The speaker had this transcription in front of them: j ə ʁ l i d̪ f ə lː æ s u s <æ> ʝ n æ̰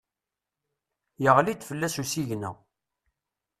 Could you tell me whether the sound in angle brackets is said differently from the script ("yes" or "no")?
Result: yes